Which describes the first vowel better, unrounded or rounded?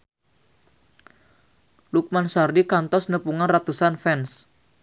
rounded